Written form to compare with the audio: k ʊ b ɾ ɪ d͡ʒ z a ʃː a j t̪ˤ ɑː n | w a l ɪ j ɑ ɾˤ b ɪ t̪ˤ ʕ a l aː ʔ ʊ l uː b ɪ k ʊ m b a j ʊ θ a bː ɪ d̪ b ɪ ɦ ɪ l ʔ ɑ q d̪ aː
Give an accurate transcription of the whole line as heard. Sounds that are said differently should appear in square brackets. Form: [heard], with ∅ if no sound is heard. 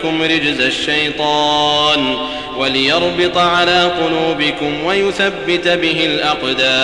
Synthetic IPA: k ʊ [m] ɾ ɪ d͡ʒ z a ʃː a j t̪ˤ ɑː n | w a l ɪ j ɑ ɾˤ b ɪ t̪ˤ ʕ a l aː [q] ʊ l uː b ɪ k ʊ m [w] a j ʊ θ a bː ɪ [t̪] b ɪ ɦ ɪ l ʔ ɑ q d̪ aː